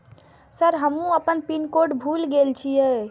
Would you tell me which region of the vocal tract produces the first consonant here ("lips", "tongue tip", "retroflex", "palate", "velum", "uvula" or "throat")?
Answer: tongue tip